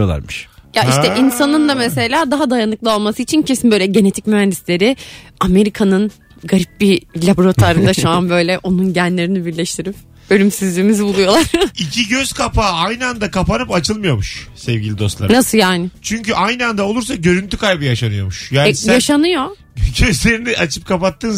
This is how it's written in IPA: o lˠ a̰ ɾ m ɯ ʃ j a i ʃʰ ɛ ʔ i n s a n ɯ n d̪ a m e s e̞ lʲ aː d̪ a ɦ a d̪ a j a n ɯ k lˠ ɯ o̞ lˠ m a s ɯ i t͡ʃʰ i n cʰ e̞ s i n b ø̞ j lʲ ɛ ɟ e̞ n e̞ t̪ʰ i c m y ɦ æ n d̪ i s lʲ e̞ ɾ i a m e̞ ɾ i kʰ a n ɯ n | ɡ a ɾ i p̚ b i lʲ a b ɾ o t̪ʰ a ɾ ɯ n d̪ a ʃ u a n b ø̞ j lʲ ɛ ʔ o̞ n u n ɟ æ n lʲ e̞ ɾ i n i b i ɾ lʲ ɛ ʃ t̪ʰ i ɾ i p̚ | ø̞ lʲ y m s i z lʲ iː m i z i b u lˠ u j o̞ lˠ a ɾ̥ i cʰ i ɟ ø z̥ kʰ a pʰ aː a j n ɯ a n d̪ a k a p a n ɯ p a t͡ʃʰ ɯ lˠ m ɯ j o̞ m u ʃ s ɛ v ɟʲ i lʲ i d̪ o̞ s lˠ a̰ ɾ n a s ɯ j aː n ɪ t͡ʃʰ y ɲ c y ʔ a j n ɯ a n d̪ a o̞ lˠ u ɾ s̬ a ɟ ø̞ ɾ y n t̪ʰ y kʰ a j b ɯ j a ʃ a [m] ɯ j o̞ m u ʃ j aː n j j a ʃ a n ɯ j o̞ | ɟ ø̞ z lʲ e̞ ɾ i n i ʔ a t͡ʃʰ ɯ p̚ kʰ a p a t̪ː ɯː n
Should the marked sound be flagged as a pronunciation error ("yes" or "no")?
yes